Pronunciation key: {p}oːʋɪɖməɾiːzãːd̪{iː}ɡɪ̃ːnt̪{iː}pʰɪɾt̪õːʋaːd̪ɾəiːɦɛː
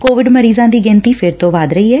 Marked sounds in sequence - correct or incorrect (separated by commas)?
incorrect, correct, correct